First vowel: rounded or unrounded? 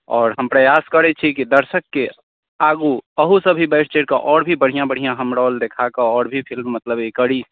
rounded